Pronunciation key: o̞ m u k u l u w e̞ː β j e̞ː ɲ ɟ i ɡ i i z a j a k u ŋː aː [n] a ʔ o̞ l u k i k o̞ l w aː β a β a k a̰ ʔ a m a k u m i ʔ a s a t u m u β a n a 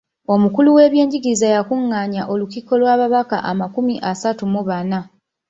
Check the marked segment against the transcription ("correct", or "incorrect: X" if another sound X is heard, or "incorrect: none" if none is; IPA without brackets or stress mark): incorrect: ɲ